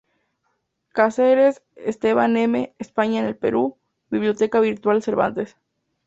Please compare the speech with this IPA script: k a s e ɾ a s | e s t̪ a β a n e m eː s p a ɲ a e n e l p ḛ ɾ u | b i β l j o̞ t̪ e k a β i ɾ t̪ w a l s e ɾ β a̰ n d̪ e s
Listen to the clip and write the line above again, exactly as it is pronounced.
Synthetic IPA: k a s e ɾ e s | e s t̪ e β a n e m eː s p a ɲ a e n e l p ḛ ɾ u | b i β l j o̞ t̪ e k a β i ɾ t̪ w a l s e ɾ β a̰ n t̪ e s